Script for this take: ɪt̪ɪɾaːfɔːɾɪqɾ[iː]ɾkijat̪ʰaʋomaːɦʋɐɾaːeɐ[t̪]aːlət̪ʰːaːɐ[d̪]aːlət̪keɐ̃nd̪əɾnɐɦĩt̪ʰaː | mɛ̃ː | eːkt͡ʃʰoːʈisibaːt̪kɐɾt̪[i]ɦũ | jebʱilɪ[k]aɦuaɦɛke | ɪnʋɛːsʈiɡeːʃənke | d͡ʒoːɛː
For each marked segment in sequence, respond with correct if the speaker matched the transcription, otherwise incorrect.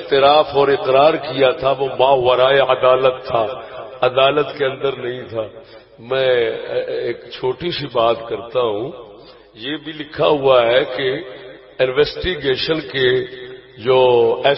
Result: incorrect: aː, incorrect: d̪, correct, incorrect: a, incorrect: kʰ

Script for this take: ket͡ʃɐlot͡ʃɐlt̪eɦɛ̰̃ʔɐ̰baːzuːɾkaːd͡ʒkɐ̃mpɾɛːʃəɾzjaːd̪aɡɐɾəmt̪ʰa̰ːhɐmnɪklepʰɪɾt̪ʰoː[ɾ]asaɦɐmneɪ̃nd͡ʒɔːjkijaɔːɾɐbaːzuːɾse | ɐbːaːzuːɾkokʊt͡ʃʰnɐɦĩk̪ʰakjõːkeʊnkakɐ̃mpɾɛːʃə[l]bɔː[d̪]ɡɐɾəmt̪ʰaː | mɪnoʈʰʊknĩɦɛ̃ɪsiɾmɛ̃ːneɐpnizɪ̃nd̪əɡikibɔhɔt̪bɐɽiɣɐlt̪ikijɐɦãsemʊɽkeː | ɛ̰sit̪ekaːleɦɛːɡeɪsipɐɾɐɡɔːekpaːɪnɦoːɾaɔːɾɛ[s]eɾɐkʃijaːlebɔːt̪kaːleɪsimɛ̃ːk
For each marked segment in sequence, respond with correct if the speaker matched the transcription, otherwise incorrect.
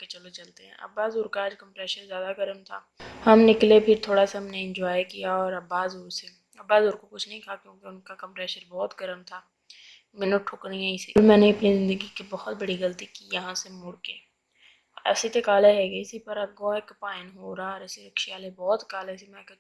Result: incorrect: ɽ, incorrect: ɾ, incorrect: t̪, correct

